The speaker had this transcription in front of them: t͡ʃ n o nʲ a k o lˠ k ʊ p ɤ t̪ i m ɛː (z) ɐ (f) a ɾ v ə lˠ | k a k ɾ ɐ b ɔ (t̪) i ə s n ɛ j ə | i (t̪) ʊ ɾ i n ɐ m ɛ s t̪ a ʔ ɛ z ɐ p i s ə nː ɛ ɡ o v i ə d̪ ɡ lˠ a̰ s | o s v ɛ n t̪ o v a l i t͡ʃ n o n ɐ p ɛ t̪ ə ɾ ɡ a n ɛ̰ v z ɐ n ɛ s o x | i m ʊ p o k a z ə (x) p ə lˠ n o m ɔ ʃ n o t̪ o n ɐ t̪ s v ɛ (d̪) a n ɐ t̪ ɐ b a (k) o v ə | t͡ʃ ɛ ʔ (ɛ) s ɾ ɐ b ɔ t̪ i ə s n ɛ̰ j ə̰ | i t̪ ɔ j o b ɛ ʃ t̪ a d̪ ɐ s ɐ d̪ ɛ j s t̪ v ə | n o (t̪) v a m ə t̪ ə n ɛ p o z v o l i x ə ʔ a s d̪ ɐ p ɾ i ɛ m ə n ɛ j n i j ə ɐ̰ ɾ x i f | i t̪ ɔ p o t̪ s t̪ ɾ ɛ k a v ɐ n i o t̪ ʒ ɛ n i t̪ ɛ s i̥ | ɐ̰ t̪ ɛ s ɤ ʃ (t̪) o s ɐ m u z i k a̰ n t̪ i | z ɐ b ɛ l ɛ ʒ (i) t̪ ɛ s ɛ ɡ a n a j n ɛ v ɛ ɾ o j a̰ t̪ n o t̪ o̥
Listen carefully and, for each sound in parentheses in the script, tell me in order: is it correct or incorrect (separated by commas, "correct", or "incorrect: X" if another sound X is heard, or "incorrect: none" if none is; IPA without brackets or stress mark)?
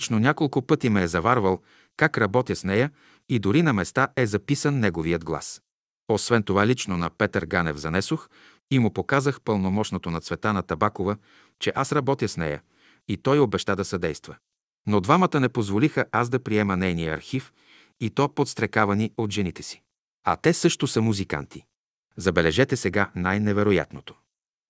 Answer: correct, incorrect: v, correct, incorrect: d̪, correct, incorrect: t̪, correct, incorrect: a, incorrect: d̪, correct, incorrect: ɛ